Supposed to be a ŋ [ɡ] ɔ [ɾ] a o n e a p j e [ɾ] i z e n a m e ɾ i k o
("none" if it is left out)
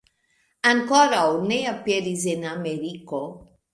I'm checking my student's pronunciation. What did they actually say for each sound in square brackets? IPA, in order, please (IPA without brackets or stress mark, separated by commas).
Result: k, ɾ, ɾ